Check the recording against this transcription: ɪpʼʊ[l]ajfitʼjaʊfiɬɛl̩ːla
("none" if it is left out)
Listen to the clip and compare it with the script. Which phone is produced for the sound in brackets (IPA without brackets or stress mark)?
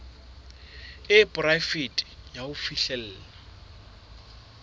r